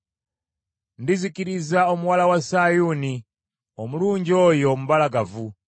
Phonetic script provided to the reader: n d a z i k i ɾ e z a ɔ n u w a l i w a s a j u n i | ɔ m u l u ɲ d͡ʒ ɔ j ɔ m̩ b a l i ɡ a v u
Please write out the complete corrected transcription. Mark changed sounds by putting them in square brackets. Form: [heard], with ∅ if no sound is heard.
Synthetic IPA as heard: n d [i] z i k i ɾ [i] z a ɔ [m] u w a l [a] w a s a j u n i | ɔ m u l u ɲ d͡ʒ ɔ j ɔ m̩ b a l [a] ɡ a v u